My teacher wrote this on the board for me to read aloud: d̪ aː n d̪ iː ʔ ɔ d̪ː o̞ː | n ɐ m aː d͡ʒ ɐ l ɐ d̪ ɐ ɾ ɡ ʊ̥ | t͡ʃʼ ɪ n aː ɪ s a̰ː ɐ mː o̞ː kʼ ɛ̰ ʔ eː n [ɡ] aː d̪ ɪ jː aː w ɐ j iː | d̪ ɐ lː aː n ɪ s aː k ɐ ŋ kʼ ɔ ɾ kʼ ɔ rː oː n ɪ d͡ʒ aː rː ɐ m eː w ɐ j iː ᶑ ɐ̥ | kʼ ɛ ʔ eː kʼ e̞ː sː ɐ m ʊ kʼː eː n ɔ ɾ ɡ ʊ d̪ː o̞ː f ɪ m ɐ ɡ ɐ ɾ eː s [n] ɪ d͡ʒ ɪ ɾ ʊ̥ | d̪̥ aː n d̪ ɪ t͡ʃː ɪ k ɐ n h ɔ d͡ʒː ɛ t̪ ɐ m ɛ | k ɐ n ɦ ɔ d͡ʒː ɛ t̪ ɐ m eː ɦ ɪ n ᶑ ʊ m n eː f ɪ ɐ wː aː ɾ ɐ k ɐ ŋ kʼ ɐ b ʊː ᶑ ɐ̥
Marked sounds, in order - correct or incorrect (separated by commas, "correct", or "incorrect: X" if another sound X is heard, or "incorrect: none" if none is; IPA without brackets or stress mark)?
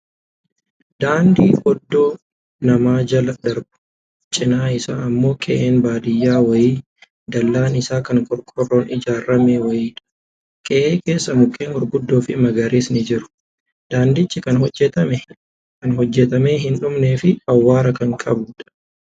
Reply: incorrect: b, correct